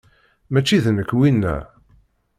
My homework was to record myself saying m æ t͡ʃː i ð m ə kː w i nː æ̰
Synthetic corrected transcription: m æ t͡ʃː i ð n ə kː w i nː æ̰